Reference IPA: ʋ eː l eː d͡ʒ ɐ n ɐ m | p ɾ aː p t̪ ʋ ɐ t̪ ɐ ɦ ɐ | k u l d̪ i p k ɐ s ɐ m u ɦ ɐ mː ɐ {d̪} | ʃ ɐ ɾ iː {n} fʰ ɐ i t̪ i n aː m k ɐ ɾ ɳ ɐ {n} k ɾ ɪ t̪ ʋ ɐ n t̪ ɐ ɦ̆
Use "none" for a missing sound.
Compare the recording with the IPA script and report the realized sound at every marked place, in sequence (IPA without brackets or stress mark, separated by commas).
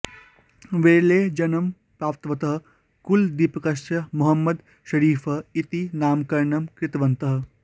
d̪, none, m